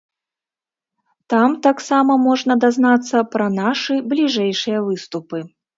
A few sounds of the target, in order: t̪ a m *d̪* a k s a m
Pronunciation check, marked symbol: incorrect: t̪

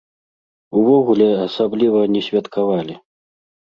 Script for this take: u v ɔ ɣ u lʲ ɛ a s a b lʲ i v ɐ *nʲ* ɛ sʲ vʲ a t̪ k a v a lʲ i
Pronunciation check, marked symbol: correct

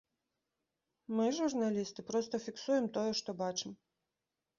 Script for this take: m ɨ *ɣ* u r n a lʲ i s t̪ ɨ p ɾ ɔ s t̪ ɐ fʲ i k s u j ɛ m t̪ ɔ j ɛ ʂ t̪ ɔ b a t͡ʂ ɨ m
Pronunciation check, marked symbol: incorrect: ʐ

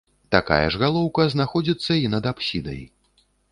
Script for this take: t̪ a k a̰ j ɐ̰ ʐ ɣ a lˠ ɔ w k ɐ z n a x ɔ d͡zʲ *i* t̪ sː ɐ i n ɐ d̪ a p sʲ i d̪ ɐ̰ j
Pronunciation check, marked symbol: correct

